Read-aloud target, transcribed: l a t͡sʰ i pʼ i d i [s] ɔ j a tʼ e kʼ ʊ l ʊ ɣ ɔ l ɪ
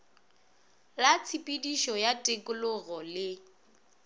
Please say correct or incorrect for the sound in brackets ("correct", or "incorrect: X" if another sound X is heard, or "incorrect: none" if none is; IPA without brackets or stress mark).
incorrect: ʃ